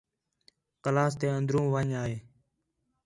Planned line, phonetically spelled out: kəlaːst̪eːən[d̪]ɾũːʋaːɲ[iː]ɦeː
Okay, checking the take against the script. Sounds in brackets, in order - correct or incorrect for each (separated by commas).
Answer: correct, incorrect